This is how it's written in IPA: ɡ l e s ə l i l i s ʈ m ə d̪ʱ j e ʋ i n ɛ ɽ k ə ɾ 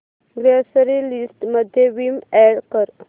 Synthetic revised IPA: ɡ ɾ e s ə ɾ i l i s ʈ m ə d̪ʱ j e ʋ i m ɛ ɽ k ə ɾ